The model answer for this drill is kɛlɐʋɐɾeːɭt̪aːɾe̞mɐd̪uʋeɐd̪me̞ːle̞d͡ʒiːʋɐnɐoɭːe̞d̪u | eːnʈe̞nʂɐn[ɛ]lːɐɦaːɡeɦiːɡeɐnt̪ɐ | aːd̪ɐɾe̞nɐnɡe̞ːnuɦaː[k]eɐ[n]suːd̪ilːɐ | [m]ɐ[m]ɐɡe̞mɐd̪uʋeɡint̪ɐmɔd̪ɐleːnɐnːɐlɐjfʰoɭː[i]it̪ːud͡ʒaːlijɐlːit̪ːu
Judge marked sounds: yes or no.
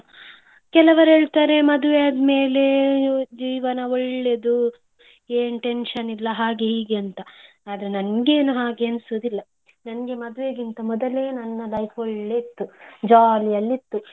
no, no, yes, no, no, no

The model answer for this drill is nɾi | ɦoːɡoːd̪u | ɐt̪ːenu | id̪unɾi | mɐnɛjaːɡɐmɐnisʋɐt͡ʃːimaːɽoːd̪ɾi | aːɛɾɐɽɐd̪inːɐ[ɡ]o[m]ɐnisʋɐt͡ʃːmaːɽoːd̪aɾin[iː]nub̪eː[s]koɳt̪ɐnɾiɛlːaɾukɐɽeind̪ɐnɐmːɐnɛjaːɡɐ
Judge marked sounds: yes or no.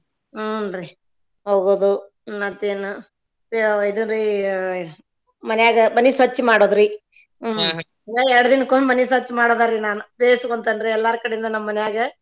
no, yes, no, yes

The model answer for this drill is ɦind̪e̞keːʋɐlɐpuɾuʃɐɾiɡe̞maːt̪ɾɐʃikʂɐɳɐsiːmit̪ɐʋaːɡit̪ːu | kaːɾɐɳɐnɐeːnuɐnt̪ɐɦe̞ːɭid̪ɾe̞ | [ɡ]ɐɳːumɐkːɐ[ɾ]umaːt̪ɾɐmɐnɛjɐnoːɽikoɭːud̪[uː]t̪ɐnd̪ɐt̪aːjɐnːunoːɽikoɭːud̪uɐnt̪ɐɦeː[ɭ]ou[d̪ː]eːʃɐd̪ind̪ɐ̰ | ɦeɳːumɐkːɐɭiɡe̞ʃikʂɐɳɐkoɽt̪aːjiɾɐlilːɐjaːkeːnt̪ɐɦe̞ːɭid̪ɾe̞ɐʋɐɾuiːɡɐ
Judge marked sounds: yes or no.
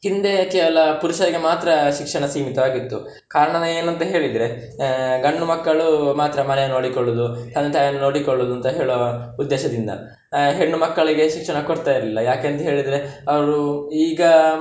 yes, no, no, yes, yes

